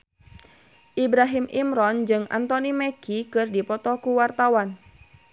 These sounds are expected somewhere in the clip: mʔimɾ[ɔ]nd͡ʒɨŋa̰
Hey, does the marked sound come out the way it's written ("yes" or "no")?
yes